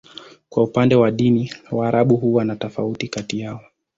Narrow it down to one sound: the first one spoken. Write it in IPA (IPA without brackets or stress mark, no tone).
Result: k